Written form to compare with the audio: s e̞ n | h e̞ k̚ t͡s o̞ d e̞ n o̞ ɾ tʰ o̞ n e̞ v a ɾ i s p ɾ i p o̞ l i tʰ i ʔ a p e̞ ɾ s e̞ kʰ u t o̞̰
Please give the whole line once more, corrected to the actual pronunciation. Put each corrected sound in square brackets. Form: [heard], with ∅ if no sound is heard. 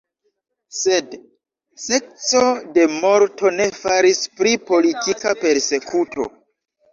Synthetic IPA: s e̞ [d] | [s] e̞ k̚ t͡s o̞ d e̞ [m] o̞ ɾ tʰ o̞ n e̞ [f] a ɾ i s p ɾ i p o̞ l i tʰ i [k] a p e̞ ɾ s e̞ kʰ u t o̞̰